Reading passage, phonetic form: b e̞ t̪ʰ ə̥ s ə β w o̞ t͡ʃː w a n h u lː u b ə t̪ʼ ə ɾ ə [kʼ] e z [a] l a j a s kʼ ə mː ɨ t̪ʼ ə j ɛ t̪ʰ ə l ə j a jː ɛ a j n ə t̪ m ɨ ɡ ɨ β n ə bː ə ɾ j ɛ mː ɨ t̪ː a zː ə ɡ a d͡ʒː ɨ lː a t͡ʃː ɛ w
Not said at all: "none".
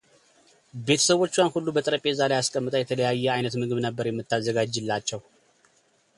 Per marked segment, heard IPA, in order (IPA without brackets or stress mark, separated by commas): pʼ, a